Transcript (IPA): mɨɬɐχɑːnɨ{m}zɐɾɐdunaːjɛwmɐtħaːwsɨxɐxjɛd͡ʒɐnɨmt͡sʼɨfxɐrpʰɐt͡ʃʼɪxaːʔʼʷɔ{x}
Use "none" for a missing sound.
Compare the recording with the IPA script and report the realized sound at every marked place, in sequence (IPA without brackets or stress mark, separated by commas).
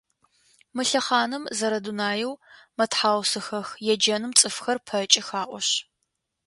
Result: m, ɕ